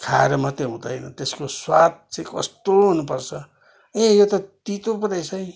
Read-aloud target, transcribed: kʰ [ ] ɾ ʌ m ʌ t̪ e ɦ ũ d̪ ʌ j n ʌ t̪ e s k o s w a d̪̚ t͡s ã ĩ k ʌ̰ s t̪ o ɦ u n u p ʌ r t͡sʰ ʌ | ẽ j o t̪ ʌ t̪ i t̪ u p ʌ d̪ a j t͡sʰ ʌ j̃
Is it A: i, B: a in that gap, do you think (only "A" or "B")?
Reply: B